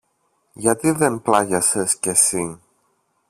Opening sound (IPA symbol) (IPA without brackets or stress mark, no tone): ʝ